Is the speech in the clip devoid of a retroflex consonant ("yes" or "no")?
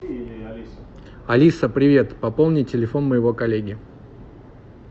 yes